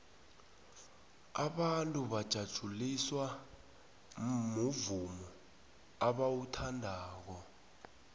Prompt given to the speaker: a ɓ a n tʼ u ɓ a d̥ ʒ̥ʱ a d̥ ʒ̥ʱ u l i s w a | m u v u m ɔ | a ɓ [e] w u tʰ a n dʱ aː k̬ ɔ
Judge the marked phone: incorrect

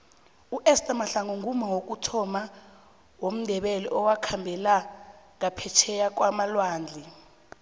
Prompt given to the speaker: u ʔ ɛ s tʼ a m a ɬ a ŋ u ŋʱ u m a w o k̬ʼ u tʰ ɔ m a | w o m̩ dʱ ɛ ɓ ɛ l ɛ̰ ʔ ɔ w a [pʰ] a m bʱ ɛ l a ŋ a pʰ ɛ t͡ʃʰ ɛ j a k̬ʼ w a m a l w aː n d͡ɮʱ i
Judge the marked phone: incorrect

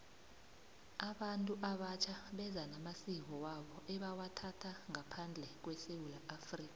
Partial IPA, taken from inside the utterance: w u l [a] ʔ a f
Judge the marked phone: correct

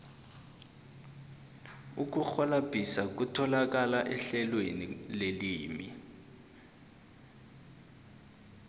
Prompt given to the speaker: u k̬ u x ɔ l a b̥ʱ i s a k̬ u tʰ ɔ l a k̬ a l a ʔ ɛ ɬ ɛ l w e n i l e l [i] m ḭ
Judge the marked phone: incorrect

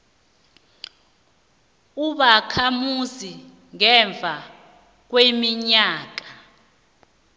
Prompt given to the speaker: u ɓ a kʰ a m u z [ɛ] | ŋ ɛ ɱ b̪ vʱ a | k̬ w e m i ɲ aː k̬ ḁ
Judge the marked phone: incorrect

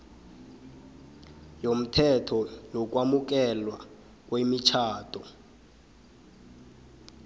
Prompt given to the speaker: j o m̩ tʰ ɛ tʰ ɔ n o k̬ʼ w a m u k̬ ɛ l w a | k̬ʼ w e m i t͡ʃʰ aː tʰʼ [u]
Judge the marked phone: incorrect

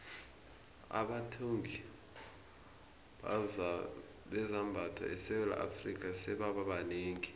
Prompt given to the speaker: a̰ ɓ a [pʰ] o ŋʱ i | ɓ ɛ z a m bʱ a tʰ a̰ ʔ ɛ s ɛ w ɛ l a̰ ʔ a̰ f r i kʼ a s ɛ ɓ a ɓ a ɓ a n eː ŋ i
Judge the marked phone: incorrect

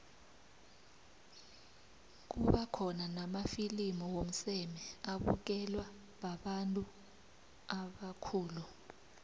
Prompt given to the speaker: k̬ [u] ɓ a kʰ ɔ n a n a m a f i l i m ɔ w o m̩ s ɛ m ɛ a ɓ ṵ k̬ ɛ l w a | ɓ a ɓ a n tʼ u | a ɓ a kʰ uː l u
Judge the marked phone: correct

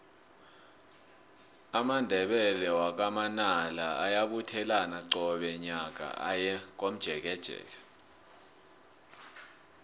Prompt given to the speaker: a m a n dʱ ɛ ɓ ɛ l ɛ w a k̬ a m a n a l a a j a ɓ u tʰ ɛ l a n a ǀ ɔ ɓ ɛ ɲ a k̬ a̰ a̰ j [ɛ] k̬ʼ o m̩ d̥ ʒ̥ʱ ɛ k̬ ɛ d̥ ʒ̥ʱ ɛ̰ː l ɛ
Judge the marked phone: correct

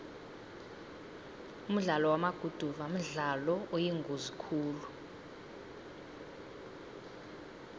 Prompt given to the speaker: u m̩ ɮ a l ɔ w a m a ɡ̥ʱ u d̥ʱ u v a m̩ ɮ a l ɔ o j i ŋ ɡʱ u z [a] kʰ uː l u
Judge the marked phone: incorrect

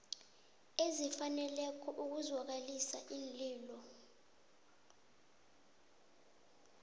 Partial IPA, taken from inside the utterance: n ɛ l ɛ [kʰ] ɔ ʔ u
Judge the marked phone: correct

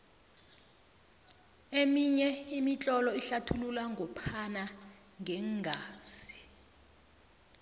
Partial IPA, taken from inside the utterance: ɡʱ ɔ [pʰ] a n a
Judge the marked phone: correct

